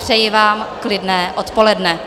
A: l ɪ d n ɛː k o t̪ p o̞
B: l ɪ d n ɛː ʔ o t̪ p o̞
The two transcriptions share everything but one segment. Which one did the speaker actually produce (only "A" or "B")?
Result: B